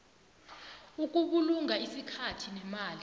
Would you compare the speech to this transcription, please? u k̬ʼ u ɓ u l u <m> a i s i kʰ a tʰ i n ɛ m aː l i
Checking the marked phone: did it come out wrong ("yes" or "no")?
yes